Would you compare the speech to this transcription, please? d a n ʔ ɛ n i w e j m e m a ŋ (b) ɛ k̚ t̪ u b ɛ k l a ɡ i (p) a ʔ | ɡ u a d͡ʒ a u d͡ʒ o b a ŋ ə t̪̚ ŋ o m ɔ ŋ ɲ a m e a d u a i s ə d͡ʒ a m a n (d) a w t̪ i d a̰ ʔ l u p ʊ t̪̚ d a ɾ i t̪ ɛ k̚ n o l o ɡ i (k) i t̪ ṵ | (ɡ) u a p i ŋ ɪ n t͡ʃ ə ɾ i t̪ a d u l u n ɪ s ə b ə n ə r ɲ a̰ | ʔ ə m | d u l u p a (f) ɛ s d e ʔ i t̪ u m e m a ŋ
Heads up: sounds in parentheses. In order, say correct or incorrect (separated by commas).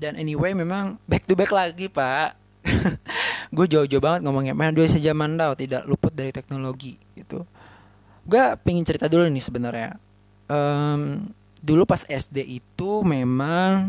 correct, correct, correct, incorrect, correct, incorrect